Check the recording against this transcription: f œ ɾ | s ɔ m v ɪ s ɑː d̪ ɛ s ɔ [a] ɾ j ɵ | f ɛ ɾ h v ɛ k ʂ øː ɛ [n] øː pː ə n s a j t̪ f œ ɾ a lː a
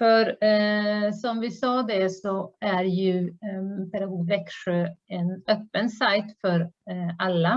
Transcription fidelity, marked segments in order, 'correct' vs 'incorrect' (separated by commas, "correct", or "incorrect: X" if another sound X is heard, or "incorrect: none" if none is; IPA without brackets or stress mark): incorrect: æ, correct